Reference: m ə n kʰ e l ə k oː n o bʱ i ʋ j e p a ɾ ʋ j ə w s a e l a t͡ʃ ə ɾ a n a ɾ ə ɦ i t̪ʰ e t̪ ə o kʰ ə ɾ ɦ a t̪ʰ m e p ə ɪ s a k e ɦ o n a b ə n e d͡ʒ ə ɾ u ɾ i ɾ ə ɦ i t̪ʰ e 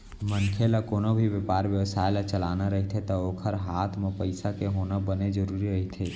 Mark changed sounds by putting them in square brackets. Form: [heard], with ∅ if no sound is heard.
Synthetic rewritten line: m ə n kʰ e l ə k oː n o bʱ i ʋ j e p a ɾ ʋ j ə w s a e l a t͡ʃ ə [l] a n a ɾ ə ɦ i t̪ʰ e t̪ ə o kʰ ə ɾ ɦ a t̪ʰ m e p ə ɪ s a k e ɦ o n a b ə n e d͡ʒ ə ɾ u ɾ i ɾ ə ɦ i t̪ʰ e